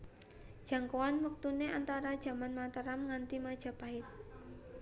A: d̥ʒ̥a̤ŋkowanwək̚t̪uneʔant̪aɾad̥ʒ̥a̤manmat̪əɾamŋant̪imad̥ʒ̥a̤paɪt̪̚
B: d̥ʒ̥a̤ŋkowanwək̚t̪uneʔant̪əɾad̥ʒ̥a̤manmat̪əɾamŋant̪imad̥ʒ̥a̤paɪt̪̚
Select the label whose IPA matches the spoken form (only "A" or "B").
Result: A